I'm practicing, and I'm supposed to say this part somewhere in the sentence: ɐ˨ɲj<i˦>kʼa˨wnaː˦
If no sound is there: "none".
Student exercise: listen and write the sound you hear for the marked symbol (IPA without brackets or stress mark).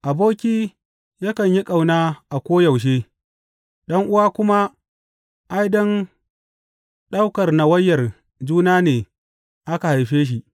i˦